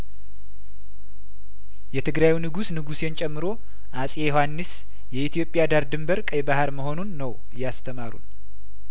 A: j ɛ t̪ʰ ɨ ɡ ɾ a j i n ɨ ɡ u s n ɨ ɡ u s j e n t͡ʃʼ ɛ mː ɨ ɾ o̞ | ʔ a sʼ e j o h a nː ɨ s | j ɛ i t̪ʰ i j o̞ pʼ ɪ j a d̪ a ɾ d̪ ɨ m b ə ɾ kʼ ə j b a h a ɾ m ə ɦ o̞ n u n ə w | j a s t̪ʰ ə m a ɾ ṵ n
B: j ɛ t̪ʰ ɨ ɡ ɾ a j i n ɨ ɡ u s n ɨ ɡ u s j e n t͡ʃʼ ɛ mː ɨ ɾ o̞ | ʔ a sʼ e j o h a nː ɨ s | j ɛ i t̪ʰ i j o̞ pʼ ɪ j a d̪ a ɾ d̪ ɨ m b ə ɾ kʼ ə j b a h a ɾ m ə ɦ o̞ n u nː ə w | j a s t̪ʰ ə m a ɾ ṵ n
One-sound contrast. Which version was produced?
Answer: B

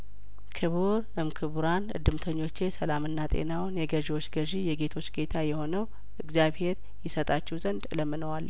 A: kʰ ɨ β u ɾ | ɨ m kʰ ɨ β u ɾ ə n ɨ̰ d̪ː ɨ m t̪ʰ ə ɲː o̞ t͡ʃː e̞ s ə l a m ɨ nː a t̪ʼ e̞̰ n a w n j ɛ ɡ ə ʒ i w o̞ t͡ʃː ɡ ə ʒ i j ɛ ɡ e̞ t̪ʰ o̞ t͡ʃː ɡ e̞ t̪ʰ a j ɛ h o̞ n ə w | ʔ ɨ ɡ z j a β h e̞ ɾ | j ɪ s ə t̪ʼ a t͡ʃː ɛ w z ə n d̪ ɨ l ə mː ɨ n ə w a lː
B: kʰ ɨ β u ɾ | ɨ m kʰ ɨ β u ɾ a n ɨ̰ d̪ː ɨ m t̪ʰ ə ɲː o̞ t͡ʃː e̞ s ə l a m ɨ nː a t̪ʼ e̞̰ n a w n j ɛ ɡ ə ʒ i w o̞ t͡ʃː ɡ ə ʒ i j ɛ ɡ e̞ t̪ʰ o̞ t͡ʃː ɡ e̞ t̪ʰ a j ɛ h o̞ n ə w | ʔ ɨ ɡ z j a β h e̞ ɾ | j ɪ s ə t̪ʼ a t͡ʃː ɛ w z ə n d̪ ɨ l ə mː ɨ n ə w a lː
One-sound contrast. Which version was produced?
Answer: B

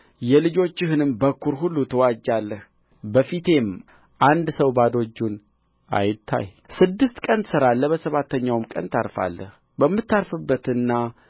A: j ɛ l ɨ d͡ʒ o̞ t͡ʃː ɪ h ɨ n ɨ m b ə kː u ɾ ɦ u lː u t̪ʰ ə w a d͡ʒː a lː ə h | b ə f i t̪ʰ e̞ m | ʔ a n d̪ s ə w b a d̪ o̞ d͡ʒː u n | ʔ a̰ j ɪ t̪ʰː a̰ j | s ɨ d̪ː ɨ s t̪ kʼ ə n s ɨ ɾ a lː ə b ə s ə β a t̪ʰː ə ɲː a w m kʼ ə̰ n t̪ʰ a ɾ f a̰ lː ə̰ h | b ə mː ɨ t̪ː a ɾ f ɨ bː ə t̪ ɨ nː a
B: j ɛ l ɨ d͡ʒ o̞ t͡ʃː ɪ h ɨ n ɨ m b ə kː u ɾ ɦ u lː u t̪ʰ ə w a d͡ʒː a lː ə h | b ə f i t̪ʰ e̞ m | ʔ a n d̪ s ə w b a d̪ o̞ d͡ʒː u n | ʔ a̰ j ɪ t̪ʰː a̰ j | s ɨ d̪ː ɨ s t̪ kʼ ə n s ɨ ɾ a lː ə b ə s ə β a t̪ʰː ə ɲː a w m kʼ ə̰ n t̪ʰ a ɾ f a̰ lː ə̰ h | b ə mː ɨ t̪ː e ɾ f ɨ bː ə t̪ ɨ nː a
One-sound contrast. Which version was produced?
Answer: A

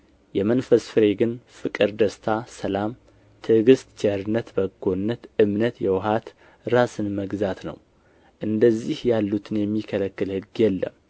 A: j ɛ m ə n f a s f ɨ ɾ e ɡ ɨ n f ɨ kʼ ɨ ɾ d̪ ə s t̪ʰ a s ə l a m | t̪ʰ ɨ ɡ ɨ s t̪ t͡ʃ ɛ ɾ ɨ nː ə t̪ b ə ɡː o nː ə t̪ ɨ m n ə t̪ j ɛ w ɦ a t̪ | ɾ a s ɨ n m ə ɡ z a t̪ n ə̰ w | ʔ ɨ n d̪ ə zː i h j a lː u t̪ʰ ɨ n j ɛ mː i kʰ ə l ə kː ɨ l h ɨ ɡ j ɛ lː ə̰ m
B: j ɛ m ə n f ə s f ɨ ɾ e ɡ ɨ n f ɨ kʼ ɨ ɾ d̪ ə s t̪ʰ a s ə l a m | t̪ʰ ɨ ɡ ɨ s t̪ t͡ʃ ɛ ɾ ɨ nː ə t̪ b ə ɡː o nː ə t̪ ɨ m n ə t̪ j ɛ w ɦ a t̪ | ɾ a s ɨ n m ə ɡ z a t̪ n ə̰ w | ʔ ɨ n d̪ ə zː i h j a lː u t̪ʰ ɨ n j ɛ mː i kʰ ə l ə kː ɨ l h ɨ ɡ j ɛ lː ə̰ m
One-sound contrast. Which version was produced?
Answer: B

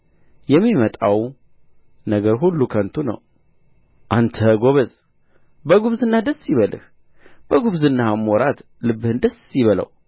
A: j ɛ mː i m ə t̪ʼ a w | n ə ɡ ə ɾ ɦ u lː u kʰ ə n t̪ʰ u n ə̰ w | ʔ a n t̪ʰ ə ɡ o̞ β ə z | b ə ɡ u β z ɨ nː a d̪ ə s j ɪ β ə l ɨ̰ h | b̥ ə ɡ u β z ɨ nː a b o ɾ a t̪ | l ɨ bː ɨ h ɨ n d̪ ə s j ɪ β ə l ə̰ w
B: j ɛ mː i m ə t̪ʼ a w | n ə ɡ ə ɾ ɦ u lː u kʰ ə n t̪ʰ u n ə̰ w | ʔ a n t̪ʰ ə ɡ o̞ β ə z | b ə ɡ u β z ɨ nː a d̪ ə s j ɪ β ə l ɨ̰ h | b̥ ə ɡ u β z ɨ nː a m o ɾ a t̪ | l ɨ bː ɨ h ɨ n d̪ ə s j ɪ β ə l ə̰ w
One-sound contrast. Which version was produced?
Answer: B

